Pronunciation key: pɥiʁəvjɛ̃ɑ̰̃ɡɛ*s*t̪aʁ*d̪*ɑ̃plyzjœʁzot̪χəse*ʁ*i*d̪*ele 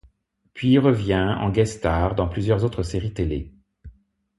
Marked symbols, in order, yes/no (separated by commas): yes, yes, yes, no